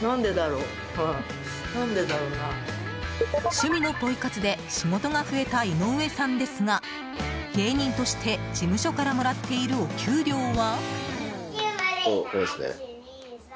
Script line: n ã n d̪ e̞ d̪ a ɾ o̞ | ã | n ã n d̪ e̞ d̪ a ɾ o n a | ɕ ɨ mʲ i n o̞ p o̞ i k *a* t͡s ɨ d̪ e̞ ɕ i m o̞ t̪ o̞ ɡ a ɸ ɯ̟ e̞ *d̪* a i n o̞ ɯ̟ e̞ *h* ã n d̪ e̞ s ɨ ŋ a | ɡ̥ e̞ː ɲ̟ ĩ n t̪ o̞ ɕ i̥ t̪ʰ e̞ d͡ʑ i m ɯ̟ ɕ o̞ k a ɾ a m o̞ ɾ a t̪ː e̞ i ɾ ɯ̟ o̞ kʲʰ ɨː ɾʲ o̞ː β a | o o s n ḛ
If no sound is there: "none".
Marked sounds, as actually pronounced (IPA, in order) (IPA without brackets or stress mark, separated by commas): a, t̪, s